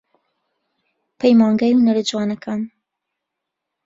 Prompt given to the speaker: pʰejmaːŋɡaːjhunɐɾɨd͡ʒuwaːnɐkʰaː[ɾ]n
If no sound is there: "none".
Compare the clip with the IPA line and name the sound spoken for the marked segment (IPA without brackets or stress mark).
none